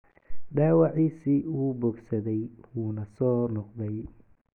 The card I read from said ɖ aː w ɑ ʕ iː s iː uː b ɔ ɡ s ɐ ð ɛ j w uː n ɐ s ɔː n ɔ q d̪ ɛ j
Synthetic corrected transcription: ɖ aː w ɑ ʕ iː s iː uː b ɔ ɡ s ɐ ð ɛ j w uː n ɐ s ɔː n ɔ q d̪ ɛ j